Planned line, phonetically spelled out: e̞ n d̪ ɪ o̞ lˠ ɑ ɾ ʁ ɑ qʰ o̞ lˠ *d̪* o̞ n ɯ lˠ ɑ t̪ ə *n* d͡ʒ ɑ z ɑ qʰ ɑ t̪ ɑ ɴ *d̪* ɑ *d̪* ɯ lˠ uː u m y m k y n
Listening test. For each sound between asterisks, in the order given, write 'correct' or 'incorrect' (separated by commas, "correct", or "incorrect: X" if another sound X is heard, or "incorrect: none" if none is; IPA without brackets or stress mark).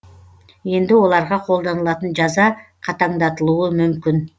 correct, correct, correct, incorrect: t̪